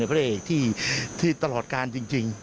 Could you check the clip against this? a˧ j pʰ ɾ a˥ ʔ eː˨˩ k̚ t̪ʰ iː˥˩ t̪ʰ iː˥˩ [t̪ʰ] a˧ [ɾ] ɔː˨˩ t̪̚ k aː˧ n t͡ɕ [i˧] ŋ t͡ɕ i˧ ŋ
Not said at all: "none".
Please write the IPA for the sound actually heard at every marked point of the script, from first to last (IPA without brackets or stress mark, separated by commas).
t̪, l, i˧